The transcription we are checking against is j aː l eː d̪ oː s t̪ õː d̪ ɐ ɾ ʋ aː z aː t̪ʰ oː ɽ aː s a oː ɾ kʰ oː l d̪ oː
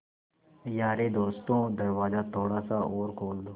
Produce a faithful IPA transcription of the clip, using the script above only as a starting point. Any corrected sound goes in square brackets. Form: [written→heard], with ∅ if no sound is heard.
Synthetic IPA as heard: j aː [l→ɾ] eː d̪ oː s t̪ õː d̪ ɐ ɾ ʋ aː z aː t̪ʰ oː ɽ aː s a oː ɾ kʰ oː l d̪ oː

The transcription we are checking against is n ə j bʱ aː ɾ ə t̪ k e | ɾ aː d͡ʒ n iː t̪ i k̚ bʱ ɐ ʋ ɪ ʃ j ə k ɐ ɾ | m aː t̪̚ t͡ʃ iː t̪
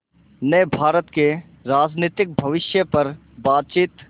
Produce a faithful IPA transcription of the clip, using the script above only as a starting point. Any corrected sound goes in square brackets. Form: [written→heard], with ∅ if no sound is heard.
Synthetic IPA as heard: n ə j bʱ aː ɾ ə t̪ k e | ɾ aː d͡ʒ n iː t̪ [i→ɪ] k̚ bʱ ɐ ʋ ɪ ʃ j ə [k→p] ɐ ɾ | [m→b] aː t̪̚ t͡ʃ iː t̪

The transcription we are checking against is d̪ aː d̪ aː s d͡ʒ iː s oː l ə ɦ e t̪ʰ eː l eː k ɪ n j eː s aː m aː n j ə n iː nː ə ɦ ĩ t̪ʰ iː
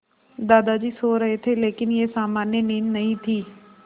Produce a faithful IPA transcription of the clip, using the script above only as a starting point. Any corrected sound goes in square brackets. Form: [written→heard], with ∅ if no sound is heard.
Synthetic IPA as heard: d̪ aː d̪ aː [s→∅] d͡ʒ iː s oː [l→ɾ] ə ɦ e t̪ʰ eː l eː k ɪ n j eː s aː m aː n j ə n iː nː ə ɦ ĩ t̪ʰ iː

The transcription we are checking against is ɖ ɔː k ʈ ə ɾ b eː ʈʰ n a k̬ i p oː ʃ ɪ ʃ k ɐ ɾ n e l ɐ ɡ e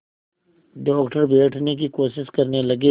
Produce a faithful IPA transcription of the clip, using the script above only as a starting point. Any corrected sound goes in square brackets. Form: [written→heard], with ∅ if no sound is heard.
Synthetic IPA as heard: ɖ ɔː k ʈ ə ɾ b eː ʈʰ n [a→e] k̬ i [p→k] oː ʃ ɪ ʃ k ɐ ɾ n e l ɐ ɡ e

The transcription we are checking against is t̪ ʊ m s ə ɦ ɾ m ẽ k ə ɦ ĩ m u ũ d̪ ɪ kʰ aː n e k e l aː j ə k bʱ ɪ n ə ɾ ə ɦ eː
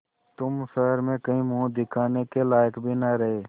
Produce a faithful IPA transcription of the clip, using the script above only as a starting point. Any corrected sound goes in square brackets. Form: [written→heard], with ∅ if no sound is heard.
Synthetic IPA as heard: t̪ ʊ m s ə ɦ ɾ m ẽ k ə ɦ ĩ m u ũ d̪ ɪ kʰ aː n e k e l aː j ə k bʱ [ɪ→i] n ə ɾ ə ɦ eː

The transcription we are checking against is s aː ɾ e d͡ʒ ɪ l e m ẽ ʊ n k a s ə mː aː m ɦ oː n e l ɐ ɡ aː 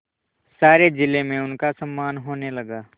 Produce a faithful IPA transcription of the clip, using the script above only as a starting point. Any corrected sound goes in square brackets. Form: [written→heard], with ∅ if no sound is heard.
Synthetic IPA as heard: s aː ɾ e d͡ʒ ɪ l e m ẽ ʊ n k a s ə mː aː [m→n] ɦ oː n e l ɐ ɡ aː

